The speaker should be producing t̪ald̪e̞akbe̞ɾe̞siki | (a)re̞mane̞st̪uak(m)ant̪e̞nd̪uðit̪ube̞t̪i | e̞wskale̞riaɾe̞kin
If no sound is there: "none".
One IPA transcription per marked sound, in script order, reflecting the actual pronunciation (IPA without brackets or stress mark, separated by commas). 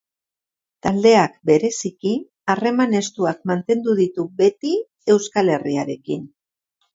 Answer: a, m